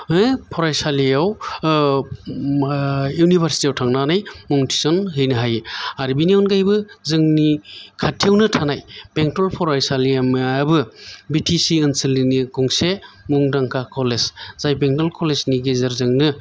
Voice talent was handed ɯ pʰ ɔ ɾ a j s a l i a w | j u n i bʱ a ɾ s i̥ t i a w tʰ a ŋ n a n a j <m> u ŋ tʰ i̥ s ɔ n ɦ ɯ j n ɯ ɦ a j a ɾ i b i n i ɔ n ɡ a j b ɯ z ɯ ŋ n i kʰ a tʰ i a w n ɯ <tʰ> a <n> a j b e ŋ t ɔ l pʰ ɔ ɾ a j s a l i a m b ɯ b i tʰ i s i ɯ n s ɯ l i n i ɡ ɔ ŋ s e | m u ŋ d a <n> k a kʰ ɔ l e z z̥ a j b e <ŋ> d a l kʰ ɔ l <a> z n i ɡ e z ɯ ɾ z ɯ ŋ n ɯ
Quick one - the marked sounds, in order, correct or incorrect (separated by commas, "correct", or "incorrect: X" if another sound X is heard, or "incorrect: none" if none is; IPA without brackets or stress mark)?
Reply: correct, correct, correct, incorrect: ŋ, correct, incorrect: e